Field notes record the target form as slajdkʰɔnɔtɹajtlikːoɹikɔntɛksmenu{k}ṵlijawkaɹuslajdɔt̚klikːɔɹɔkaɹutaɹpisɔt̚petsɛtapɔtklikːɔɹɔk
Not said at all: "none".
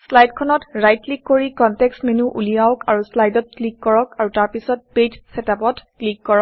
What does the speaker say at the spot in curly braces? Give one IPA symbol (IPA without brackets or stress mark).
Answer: ʔ